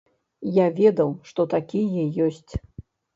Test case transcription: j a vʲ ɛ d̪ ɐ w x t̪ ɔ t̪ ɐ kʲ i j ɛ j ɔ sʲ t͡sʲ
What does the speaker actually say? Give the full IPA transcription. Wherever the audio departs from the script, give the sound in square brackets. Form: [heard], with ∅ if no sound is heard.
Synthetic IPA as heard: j a vʲ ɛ d̪ ɐ w [ʂ] t̪ ɔ t̪ [a] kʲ i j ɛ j ɔ sʲ t͡sʲ